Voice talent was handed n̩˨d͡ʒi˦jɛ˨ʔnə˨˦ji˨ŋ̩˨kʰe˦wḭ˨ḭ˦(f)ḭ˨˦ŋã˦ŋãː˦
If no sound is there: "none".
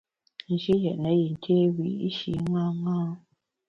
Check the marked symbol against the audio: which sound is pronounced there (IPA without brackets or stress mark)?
ʃ